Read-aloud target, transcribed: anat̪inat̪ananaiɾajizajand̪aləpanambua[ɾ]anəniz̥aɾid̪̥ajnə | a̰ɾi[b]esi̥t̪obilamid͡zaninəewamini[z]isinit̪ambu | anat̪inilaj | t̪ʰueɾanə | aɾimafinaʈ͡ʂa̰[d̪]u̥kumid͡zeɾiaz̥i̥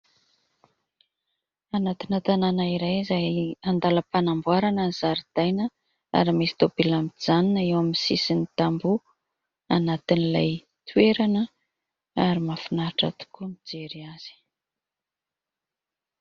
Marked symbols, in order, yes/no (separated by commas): yes, no, no, no